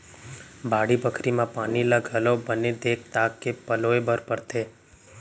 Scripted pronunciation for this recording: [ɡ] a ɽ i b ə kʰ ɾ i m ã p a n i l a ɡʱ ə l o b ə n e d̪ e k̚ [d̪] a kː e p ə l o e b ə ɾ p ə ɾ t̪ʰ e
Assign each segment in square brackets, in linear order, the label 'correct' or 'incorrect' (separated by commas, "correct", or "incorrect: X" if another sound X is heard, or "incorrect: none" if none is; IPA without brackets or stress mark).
incorrect: b, incorrect: t̪